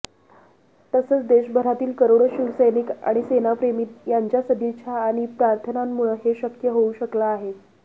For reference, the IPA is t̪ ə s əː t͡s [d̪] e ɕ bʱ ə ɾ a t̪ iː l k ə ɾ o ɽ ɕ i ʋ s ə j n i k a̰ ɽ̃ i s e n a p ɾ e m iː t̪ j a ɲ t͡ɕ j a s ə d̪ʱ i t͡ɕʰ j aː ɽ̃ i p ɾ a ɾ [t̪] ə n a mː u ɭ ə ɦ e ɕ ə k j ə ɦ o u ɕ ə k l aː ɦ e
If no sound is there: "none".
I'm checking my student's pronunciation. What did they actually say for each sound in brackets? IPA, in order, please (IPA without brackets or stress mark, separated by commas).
d̪, t̪ʰ